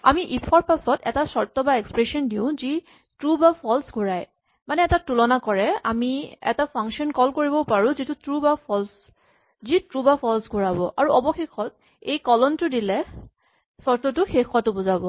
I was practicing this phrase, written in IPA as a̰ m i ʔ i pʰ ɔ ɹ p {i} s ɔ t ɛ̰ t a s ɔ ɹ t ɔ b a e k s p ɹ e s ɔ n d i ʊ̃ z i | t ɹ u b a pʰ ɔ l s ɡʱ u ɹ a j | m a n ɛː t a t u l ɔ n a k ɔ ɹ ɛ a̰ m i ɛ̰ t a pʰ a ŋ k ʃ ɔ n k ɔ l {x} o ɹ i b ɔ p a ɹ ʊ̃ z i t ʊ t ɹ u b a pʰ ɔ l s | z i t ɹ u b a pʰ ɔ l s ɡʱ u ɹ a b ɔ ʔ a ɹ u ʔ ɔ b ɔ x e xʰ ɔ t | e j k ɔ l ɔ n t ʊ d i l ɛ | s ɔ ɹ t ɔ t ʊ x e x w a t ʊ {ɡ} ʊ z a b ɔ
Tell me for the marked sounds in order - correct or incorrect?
incorrect, incorrect, incorrect

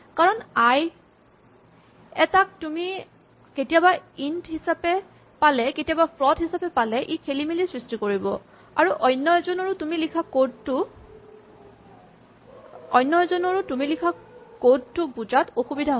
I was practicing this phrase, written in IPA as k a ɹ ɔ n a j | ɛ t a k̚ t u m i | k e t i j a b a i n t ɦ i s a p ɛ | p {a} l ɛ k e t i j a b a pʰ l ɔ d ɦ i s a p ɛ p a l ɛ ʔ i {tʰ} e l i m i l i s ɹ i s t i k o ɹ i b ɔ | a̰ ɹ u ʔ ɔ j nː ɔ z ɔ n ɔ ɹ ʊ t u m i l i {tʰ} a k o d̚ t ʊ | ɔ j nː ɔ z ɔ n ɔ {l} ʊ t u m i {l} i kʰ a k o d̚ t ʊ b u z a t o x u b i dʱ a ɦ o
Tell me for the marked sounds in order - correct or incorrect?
correct, incorrect, incorrect, incorrect, correct

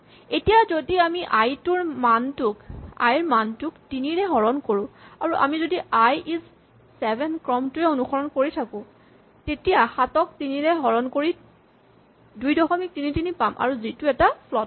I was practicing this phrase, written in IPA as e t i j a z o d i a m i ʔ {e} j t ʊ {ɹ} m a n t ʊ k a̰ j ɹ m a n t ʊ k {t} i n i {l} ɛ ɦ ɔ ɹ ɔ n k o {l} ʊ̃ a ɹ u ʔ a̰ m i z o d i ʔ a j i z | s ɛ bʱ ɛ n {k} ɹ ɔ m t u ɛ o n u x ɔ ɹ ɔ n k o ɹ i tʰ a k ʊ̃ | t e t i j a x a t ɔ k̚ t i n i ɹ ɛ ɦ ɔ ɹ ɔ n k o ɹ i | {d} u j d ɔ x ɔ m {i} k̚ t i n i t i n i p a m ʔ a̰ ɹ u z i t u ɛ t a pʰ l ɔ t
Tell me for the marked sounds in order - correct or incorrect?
incorrect, correct, correct, incorrect, incorrect, correct, correct, correct

